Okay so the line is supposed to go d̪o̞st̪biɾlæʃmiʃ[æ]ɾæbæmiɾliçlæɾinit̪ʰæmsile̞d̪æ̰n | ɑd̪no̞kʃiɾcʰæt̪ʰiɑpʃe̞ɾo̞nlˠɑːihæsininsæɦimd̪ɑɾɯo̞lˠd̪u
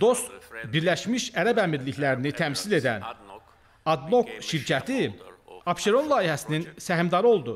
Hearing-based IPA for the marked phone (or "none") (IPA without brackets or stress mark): æ